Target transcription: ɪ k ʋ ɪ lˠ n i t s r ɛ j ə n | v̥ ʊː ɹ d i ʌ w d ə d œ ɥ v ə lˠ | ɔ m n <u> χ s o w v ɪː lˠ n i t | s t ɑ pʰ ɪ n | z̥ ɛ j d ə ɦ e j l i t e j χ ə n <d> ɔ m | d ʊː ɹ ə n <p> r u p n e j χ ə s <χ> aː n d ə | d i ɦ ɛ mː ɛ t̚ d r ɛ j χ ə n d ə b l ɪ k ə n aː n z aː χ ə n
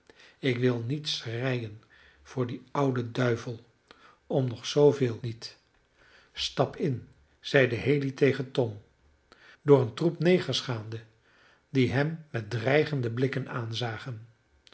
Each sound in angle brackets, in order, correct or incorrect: incorrect: ɔ, incorrect: t, incorrect: t, correct

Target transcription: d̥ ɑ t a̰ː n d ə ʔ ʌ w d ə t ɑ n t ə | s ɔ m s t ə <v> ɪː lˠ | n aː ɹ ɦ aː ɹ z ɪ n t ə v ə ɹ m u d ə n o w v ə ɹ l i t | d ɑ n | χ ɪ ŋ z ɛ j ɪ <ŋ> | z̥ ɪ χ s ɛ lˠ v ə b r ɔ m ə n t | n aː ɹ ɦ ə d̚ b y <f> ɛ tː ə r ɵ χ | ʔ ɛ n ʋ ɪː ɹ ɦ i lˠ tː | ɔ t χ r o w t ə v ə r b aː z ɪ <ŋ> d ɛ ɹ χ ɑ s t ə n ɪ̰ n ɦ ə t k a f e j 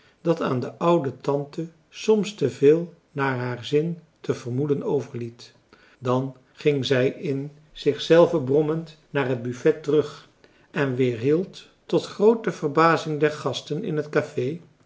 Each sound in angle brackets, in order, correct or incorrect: correct, incorrect: n, correct, correct

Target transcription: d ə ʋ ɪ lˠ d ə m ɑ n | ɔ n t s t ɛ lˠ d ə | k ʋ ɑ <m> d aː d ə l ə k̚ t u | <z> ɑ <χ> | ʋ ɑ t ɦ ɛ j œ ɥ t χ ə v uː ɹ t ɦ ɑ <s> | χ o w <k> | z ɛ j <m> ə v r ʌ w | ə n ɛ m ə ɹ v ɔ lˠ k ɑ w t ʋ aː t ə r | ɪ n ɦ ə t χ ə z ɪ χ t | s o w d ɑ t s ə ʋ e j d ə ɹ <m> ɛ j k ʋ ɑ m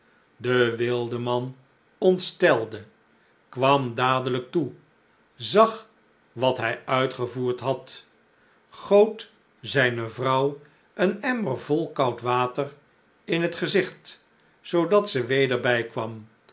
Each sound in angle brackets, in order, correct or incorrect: correct, correct, correct, incorrect: t, incorrect: t, incorrect: n, incorrect: b

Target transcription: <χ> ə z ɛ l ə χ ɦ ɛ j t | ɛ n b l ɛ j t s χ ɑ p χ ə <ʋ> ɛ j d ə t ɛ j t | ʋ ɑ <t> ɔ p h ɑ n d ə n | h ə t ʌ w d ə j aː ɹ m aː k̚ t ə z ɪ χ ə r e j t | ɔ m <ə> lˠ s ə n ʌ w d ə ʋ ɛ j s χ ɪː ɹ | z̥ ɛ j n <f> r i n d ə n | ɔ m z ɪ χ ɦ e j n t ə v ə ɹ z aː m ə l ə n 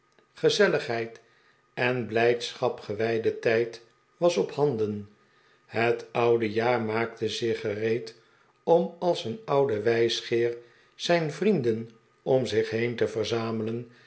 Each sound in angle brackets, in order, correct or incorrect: correct, correct, incorrect: s, incorrect: ɑ, incorrect: v

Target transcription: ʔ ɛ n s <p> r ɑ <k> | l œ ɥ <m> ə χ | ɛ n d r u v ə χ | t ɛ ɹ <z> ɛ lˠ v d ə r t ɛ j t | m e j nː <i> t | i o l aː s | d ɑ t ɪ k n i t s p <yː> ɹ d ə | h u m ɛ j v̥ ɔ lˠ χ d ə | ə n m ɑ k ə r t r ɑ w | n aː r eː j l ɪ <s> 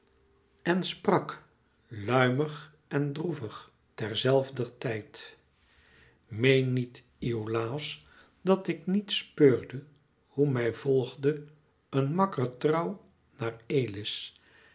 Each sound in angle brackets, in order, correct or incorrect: correct, correct, correct, correct, correct, incorrect: øː, correct

